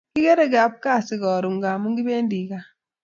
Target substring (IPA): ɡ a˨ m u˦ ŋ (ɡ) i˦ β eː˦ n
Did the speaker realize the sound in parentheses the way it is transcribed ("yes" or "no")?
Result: yes